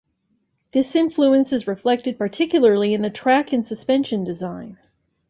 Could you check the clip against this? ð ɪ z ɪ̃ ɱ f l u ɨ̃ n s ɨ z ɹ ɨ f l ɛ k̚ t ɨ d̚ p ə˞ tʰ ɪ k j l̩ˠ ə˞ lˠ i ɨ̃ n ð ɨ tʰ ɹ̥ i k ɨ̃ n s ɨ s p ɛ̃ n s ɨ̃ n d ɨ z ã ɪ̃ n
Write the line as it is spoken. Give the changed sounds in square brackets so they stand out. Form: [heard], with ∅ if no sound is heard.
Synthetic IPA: ð ɪ [s] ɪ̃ ɱ f l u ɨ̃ n s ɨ z ɹ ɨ f l ɛ k̚ t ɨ d̚ p ə˞ tʰ ɪ k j l̩ˠ ə˞ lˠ i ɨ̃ n ð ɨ tʰ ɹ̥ [æ] k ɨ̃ n s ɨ s p ɛ̃ n [ʃ] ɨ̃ n d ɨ z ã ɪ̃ n